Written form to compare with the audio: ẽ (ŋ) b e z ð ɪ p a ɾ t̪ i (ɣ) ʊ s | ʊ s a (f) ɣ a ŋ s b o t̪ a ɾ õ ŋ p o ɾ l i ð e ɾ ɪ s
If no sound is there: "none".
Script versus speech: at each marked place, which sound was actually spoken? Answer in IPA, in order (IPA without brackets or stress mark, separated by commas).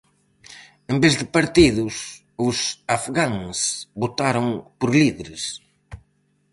m, ð, f